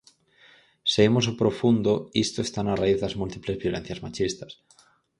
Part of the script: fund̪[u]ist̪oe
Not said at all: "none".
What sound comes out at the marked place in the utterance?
o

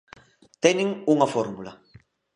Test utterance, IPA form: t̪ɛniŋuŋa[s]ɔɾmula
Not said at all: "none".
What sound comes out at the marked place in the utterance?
f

